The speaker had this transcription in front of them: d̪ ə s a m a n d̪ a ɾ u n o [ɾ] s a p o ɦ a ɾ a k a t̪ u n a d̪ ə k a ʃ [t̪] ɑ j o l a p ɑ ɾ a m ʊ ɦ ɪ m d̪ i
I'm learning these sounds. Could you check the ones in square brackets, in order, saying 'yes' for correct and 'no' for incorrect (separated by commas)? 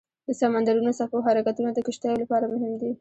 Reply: no, yes